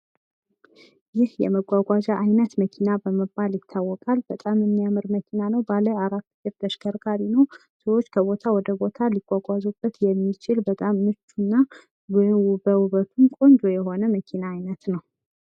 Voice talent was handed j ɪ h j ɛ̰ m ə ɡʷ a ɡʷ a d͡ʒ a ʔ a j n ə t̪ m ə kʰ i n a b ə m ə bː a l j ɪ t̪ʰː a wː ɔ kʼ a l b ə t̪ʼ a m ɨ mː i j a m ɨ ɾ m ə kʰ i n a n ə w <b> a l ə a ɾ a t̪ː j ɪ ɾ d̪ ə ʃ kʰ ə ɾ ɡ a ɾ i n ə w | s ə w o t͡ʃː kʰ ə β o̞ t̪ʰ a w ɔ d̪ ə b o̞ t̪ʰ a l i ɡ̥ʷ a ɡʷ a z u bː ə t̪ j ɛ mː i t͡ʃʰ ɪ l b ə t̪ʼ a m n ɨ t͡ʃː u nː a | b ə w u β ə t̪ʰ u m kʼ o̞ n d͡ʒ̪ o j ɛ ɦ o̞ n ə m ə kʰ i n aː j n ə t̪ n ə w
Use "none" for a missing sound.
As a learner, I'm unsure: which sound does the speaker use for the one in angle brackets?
b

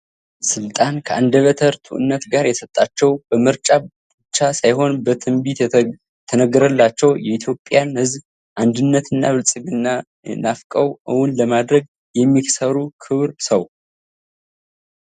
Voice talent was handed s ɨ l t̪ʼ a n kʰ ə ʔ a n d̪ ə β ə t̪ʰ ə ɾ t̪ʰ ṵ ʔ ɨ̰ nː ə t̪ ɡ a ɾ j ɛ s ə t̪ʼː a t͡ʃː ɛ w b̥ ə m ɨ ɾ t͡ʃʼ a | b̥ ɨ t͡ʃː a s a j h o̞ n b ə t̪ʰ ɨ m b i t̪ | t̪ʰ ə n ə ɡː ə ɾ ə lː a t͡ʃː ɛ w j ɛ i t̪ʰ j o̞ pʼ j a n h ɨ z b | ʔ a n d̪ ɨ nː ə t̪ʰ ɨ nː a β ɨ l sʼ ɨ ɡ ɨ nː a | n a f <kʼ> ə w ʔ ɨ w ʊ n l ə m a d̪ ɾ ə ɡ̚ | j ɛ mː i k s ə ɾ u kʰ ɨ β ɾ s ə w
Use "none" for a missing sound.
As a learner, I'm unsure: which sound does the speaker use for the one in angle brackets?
kʼ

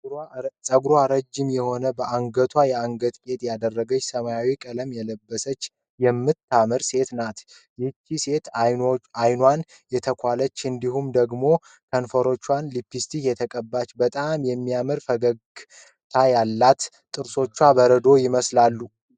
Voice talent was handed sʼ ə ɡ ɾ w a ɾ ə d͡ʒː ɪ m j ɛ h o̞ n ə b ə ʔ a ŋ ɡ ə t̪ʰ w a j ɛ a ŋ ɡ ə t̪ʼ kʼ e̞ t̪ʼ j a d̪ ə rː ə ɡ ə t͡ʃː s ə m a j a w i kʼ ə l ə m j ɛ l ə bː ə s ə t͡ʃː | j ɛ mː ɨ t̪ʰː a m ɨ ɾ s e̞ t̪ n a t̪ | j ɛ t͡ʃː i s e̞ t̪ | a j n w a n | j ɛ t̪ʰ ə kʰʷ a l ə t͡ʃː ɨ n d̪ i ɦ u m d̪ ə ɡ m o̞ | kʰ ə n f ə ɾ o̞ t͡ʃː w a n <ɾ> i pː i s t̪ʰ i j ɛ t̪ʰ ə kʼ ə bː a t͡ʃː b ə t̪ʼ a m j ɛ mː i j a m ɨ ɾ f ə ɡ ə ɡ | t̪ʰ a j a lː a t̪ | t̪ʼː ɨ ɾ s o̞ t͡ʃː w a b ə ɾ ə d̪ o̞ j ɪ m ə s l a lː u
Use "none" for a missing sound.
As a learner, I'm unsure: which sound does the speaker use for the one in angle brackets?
l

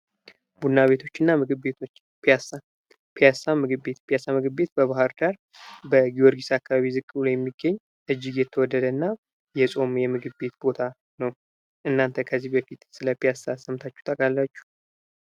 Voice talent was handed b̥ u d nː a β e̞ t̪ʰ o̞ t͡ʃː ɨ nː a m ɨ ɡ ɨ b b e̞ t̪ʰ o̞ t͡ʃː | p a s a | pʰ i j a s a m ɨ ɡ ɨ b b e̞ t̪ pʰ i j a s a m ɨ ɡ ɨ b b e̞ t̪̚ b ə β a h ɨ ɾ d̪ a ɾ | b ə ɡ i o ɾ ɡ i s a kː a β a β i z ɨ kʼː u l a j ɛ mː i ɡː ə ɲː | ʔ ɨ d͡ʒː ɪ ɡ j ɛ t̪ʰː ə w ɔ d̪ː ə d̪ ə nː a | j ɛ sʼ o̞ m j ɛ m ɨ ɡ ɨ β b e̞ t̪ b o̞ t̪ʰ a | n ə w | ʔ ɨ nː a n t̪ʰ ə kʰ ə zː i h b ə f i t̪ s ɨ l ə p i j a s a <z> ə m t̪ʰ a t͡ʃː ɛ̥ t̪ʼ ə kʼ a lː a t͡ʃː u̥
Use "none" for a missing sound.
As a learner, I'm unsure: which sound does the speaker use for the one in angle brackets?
s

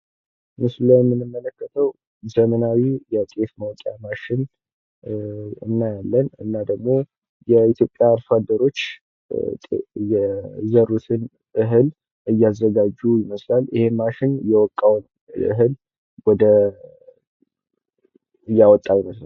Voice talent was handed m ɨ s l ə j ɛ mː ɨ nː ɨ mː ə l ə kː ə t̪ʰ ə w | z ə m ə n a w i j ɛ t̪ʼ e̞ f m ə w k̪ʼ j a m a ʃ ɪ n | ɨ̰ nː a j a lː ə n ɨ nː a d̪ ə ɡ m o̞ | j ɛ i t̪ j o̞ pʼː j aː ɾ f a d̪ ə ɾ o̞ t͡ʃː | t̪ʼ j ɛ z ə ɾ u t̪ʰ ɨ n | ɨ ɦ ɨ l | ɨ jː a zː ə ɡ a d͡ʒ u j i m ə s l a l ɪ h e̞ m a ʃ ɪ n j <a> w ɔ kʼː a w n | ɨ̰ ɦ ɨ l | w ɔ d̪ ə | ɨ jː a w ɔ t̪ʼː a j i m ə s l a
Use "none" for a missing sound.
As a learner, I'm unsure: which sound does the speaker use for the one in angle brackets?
ɛ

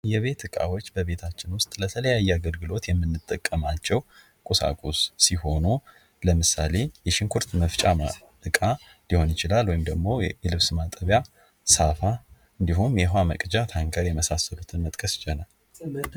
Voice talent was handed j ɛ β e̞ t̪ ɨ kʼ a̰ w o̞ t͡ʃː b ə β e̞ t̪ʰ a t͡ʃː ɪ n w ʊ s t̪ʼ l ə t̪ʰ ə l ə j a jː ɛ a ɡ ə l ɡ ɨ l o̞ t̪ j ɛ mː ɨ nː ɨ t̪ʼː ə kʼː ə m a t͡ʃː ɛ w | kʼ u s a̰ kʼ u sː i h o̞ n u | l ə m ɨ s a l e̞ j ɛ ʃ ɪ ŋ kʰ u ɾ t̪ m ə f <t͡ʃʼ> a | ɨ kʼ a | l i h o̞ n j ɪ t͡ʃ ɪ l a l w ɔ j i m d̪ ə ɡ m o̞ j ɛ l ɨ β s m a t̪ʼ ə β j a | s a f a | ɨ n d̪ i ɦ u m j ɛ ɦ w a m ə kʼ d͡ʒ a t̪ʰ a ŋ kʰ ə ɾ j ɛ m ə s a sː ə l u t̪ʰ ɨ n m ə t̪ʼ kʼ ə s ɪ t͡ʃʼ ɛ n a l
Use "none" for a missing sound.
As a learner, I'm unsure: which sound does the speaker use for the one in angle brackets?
t͡ʃʼ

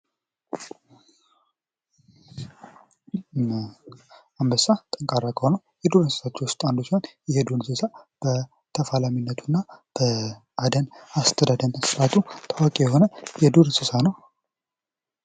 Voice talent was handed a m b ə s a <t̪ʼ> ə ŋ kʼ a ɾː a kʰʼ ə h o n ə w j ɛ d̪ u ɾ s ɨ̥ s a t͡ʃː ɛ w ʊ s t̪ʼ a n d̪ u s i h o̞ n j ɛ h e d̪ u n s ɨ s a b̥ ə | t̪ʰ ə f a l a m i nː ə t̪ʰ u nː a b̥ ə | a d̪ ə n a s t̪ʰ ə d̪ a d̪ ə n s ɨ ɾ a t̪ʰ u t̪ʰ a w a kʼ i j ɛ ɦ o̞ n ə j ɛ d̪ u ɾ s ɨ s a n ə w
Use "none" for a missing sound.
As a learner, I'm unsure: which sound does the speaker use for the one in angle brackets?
t̪ʼ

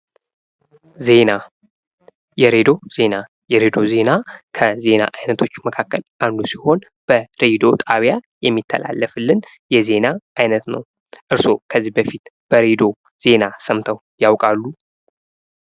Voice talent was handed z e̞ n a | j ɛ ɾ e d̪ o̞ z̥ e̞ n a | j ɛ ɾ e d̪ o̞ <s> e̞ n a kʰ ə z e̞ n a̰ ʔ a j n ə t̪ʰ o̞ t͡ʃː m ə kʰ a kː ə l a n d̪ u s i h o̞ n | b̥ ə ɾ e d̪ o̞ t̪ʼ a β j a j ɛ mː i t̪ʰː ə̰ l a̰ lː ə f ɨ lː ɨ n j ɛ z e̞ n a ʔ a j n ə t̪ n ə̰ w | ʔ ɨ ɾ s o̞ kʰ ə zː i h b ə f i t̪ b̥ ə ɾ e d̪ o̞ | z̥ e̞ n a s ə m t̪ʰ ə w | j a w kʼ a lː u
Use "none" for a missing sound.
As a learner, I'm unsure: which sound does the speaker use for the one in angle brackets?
z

